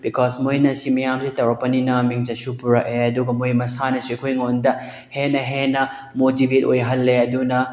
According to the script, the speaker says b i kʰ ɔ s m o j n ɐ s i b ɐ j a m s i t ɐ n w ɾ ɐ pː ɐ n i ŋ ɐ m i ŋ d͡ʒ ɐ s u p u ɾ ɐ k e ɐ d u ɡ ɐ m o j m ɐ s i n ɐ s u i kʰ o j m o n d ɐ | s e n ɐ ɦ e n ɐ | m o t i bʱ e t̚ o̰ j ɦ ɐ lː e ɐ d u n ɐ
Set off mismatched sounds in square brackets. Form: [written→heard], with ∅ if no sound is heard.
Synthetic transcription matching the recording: b i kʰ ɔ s m o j n ɐ s i [b→m] ɐ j a m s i t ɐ [n→∅] w ɾ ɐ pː ɐ n i [ŋ→n] ɐ m i ŋ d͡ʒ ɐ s u p u ɾ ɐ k e ɐ d u ɡ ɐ m o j m ɐ s [i→a] n ɐ s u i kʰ o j [m→ŋ] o n d ɐ | [s→h] e n ɐ ɦ e n ɐ | m o t i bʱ e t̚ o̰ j ɦ ɐ lː e ɐ d u n ɐ